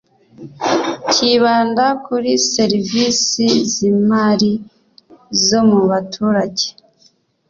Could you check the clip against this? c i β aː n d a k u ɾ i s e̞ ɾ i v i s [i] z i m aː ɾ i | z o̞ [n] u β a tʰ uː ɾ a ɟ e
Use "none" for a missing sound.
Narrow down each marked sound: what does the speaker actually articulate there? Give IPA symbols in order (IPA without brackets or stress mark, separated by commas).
i, m